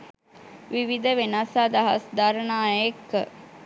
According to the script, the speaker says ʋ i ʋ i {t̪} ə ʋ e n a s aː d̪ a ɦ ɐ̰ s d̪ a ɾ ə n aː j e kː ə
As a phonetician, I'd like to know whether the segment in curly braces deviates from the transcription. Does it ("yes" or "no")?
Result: yes